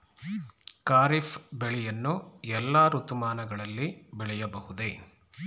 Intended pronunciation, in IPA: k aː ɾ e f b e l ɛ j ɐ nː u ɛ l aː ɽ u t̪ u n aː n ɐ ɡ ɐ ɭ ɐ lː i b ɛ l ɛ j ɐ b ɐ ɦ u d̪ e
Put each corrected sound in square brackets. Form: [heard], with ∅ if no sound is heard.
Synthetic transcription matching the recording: k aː ɾ [i] f b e [ɭ] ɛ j ɐ nː u ɛ [lː] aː [ɾ] u t̪ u [m] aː n ɐ ɡ ɐ ɭ ɐ lː i b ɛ [ɭ] ɛ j ɐ b ɐ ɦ u d̪ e